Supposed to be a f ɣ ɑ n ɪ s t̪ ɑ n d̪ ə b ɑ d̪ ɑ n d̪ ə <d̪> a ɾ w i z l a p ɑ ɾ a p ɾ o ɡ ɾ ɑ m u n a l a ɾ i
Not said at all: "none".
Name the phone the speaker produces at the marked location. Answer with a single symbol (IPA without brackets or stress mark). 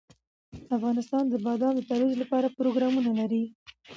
t̪